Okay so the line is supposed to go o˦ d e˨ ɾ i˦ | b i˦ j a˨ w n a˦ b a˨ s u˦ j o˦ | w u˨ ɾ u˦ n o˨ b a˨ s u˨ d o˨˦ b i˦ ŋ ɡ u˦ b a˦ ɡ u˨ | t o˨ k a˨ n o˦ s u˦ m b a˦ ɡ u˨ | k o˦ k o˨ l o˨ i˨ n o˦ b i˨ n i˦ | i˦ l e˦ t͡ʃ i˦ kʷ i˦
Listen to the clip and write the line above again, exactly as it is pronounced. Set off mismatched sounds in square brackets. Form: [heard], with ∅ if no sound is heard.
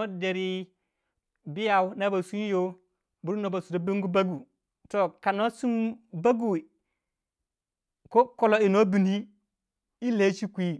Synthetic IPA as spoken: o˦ d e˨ ɾ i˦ | b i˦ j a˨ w n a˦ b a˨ s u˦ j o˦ | [b] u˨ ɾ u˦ n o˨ b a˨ s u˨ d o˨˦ b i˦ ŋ ɡ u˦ b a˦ ɡ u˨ | t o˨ k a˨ n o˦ s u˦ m b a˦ ɡ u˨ | k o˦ k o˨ l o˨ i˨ n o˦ b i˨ n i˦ | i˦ l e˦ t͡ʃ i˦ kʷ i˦